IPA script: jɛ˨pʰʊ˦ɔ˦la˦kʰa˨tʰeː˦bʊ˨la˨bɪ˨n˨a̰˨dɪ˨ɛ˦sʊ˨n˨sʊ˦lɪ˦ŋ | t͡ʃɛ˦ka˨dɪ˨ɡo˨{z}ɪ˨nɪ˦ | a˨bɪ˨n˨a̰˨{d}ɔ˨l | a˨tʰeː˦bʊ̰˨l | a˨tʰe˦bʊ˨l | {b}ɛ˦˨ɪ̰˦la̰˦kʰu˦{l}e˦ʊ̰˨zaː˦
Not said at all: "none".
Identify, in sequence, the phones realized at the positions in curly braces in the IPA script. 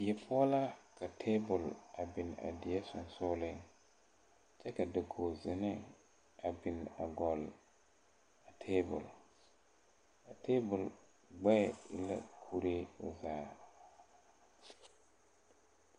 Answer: z, ɡ, ɡ͡b, ɾ

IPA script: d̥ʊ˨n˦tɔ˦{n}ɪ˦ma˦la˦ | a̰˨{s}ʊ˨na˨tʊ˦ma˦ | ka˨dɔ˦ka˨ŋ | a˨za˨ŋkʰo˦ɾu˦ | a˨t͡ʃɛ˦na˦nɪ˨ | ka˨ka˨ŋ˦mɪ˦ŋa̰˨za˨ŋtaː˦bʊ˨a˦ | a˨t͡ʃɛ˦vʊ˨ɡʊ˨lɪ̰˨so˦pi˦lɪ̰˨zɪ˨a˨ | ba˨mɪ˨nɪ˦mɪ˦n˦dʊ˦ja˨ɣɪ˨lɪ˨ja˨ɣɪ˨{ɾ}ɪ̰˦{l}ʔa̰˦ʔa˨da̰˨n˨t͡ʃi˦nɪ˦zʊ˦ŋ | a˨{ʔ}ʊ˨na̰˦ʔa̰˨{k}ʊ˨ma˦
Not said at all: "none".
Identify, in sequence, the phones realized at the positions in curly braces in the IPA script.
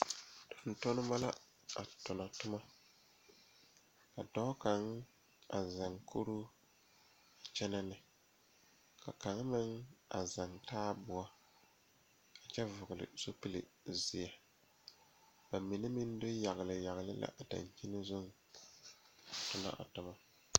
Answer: n, t, l, l, t, t

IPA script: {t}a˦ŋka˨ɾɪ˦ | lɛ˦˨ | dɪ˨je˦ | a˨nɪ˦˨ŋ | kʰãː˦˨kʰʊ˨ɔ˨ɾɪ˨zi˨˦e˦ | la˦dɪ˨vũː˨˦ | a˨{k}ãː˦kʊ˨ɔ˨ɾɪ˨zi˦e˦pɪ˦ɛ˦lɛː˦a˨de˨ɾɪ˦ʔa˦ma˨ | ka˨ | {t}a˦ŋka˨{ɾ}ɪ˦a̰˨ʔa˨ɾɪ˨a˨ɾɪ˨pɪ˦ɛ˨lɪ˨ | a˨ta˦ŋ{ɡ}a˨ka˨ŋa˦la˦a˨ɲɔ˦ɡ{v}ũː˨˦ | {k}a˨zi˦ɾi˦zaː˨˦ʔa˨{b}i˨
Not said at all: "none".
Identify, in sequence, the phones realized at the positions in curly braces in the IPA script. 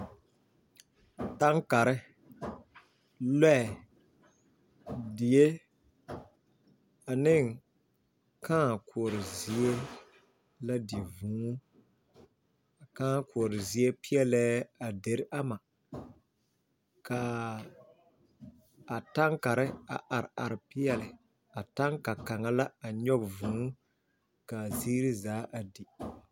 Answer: t, k, t, ɾ, k, v, k, d

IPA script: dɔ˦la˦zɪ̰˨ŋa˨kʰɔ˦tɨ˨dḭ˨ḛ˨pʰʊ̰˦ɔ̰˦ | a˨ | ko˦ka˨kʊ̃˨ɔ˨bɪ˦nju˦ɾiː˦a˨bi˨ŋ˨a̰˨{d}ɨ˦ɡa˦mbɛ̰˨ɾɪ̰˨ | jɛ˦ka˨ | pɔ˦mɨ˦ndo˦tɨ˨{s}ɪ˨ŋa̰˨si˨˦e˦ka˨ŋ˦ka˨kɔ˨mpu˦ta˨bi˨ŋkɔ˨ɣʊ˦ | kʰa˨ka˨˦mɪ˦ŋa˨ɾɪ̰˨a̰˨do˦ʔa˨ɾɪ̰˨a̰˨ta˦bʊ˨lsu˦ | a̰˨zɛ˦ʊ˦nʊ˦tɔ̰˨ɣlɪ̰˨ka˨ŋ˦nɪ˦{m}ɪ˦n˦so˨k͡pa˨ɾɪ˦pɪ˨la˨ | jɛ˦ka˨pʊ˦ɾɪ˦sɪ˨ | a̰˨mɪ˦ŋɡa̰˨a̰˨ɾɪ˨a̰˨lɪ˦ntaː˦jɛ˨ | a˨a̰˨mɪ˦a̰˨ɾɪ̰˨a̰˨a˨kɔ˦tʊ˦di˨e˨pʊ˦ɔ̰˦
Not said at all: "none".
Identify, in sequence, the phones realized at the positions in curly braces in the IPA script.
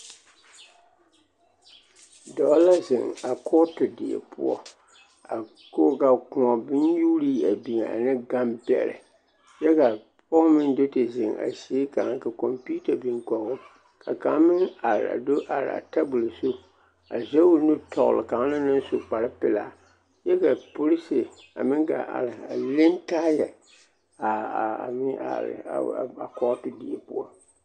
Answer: n, z, n

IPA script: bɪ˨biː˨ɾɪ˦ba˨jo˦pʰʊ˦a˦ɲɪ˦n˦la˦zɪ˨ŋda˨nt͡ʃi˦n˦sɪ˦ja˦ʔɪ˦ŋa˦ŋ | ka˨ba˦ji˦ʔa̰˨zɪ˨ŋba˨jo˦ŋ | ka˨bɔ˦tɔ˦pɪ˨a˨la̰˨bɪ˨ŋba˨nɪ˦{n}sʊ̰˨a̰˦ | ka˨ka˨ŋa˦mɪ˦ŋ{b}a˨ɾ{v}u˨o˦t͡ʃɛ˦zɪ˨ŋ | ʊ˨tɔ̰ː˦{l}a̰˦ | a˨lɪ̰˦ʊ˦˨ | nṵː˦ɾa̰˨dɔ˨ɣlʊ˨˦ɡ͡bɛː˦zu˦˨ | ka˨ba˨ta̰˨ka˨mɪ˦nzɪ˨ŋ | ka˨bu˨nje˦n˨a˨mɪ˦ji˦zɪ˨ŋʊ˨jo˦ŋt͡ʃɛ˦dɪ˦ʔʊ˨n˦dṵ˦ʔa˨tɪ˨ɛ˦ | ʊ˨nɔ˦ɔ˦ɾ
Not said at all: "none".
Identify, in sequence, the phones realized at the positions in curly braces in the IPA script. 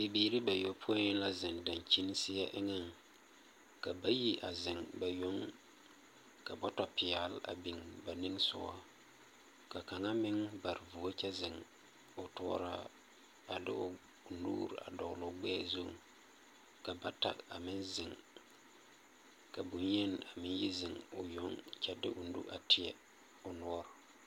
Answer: ŋ, b, v, ɾ

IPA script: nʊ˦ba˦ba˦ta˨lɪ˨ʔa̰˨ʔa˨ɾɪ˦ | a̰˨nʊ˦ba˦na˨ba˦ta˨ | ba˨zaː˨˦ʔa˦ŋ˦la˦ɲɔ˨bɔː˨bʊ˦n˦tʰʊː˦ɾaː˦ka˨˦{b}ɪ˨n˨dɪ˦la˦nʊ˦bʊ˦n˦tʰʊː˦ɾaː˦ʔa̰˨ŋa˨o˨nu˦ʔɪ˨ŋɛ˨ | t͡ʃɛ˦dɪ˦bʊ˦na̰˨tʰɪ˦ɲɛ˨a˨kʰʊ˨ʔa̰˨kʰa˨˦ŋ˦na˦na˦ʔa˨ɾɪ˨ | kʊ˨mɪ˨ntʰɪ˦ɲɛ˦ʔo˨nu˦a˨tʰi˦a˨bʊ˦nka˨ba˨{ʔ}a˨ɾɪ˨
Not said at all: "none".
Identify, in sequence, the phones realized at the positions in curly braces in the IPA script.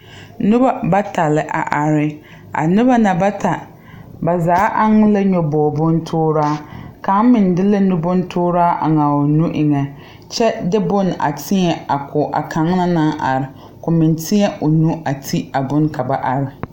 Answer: m, ʔ

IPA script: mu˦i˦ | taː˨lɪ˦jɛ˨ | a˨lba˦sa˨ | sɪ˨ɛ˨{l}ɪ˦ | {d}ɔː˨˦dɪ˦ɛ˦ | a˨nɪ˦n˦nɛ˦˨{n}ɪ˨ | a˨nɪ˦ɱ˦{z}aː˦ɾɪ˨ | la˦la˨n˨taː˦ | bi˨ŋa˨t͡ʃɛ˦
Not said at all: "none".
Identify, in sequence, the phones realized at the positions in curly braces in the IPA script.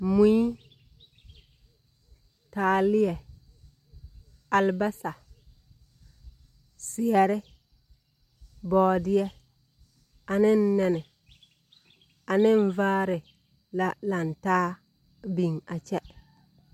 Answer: ɾ, b, n, v

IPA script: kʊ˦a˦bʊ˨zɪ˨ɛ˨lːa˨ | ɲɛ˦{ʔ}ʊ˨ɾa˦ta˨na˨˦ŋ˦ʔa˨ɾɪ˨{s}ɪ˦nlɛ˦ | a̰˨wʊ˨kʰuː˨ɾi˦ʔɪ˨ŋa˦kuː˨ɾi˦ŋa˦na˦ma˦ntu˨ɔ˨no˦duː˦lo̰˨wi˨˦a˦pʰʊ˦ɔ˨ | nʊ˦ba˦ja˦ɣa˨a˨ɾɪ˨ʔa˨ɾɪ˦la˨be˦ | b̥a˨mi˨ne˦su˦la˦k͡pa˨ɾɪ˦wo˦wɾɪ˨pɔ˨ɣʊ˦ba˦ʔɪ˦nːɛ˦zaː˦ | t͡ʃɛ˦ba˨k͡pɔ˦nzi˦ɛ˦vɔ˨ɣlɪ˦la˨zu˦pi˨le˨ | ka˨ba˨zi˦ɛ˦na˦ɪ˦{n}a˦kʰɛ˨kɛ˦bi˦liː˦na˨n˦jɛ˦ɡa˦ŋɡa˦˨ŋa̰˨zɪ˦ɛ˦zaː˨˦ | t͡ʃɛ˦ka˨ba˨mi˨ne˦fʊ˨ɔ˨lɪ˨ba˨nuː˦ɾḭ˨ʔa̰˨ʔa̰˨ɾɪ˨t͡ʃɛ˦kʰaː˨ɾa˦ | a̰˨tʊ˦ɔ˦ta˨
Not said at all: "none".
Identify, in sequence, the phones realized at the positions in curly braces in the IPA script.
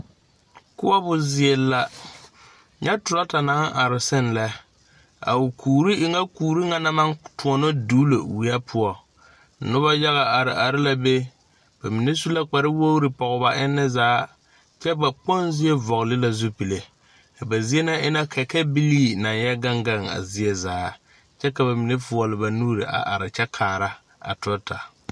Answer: t, s, n

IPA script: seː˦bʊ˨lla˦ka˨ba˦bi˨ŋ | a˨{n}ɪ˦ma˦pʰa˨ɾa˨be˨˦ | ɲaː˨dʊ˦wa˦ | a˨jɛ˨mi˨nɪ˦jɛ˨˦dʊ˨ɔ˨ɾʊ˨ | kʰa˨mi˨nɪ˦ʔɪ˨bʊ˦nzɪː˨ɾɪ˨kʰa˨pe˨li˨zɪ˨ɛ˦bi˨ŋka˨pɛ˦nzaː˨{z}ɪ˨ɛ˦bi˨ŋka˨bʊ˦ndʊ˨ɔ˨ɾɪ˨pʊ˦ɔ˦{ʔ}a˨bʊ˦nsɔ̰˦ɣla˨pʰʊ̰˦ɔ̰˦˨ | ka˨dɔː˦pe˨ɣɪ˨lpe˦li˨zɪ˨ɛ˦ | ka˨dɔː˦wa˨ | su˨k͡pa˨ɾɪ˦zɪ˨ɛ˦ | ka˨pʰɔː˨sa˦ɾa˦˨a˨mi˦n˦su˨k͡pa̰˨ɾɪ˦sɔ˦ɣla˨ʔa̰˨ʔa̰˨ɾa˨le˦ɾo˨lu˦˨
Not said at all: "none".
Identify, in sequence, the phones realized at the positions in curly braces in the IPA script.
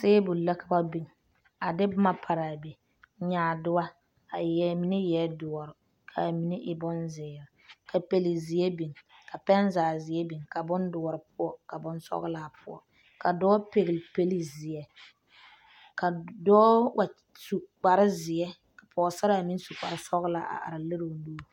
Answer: d, z, k

